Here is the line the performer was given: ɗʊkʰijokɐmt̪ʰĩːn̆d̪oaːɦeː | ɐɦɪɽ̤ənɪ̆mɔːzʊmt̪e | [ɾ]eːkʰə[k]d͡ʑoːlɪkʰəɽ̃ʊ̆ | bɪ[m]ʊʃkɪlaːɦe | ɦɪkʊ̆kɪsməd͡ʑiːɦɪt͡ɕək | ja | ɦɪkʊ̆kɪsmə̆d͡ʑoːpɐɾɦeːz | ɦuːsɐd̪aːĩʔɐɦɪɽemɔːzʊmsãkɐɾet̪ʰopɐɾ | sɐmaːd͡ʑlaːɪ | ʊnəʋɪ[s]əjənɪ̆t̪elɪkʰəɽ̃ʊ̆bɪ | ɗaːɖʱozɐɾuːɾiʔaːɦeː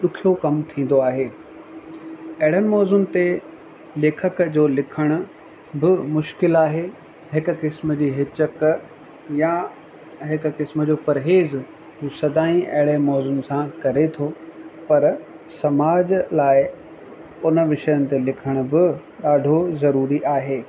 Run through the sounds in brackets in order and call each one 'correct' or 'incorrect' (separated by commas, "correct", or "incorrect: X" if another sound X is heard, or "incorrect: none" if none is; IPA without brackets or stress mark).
incorrect: l, correct, correct, incorrect: ʃ